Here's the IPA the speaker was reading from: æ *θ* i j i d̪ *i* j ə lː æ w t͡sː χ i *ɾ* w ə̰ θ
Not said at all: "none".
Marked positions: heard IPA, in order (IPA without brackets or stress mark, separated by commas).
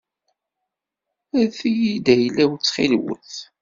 θ, æ, l